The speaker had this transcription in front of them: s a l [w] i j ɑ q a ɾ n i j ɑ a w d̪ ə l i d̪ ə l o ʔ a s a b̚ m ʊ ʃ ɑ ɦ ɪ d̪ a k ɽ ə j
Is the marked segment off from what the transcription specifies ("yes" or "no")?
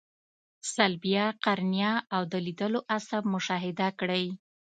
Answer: yes